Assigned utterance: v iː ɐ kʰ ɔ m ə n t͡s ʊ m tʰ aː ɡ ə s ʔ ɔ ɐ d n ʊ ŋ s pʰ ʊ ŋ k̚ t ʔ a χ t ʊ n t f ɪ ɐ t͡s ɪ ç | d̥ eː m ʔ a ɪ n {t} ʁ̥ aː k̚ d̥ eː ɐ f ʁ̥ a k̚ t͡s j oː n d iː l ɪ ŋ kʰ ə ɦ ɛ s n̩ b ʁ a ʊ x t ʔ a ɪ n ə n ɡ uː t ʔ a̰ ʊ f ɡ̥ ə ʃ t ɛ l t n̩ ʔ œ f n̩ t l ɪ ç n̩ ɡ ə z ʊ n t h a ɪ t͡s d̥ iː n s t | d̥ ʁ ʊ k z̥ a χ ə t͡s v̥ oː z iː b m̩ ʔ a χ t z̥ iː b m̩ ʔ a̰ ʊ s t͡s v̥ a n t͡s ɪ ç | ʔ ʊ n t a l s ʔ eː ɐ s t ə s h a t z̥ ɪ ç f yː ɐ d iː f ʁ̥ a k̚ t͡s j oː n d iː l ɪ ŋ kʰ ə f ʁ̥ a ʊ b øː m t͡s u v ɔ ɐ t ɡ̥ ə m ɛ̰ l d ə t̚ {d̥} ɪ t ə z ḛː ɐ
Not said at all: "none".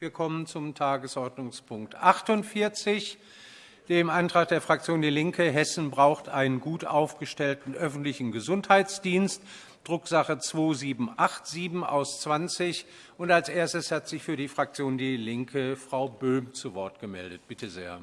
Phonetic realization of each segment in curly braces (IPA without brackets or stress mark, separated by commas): t, b̥